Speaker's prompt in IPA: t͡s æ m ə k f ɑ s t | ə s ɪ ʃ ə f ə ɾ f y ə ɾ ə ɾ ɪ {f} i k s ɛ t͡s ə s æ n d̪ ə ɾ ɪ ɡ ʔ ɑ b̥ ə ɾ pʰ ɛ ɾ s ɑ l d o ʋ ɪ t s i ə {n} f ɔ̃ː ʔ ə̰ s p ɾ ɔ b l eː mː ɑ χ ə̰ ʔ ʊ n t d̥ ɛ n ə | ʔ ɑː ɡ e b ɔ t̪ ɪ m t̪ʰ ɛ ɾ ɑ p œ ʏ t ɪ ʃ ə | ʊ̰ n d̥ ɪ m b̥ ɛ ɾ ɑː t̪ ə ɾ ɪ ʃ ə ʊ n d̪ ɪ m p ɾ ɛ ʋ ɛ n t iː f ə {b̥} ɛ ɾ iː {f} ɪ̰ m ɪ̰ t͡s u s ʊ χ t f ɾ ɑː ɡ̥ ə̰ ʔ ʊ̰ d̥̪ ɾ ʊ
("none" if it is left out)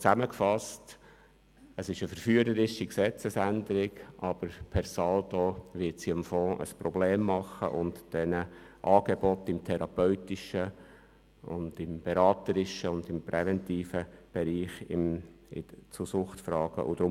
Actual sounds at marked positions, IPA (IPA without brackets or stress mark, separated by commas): ʃ, m, b̥, χ